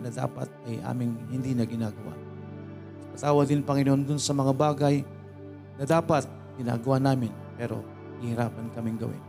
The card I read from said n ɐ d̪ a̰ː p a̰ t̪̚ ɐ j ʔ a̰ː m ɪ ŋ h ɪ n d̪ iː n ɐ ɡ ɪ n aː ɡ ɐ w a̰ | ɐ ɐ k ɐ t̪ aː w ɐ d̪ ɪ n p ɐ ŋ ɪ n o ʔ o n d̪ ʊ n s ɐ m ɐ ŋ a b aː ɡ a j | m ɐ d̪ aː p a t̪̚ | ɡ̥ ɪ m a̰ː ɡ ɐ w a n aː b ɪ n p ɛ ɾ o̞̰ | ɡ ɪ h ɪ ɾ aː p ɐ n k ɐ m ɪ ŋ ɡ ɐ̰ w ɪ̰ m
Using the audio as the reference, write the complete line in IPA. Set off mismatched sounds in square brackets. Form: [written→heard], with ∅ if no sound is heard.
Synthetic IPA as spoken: n ɐ d̪ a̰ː p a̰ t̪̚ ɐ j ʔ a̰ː m ɪ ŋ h ɪ n d̪ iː n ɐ ɡ ɪ n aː ɡ ɐ w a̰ | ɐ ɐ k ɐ t̪ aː w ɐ d̪ ɪ n p ɐ ŋ ɪ n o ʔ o n d̪ ʊ n s ɐ m ɐ ŋ a b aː ɡ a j | [m→n] ɐ d̪ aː p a t̪̚ | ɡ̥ ɪ [m→n] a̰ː ɡ ɐ w a n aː [b→m] ɪ n p ɛ ɾ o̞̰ | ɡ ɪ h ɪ ɾ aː p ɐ n k ɐ m ɪ ŋ ɡ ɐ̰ w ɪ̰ [m→n]